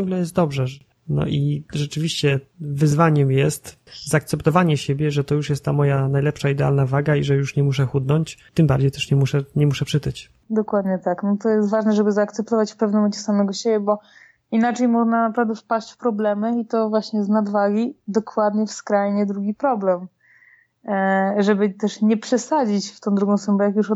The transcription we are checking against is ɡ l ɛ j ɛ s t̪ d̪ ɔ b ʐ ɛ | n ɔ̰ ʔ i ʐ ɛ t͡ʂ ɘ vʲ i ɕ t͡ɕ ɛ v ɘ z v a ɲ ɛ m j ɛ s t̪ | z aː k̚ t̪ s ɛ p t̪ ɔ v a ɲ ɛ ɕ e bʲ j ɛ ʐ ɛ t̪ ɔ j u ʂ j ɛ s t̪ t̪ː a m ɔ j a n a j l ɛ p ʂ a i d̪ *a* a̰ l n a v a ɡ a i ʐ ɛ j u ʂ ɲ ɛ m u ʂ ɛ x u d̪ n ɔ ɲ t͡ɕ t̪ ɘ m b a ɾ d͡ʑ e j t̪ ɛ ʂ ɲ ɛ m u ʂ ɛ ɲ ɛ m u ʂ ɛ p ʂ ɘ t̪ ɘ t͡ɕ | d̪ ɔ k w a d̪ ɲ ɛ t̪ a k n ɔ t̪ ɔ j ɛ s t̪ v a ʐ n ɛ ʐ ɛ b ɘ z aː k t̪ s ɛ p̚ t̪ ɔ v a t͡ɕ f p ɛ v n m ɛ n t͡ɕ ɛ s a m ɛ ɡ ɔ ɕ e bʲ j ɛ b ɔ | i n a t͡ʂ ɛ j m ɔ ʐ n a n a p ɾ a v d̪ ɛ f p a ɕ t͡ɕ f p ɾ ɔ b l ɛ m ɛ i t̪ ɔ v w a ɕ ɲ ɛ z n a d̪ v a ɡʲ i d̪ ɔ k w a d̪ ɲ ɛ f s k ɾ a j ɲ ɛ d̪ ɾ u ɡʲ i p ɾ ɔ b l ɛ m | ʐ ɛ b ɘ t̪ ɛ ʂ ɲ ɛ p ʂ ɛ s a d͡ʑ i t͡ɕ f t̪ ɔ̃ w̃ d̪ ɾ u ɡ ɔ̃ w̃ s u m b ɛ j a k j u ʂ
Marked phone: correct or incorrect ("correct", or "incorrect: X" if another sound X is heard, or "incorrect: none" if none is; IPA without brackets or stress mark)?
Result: incorrect: ɛ